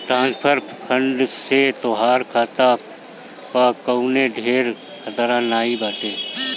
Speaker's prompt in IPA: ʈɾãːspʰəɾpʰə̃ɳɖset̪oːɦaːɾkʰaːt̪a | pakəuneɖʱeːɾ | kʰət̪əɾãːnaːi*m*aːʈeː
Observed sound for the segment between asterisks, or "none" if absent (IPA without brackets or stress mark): b